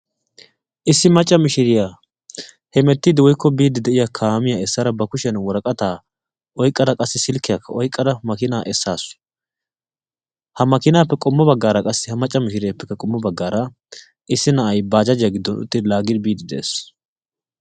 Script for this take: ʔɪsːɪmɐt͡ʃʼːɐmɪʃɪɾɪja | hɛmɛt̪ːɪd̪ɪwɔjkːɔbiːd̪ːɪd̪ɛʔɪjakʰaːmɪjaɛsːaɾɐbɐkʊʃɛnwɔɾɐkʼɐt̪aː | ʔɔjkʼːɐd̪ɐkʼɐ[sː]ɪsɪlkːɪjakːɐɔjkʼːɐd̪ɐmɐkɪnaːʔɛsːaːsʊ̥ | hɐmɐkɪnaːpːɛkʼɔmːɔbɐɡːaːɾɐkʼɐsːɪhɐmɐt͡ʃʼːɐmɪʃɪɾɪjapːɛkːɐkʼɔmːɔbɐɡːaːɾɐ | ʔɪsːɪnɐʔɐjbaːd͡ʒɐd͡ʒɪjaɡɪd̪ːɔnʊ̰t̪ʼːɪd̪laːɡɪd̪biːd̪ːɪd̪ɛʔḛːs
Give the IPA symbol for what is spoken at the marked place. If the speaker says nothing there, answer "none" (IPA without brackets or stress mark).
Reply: sː